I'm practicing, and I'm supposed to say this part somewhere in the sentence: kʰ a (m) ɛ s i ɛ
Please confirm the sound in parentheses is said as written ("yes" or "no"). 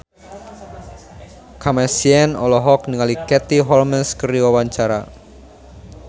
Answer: yes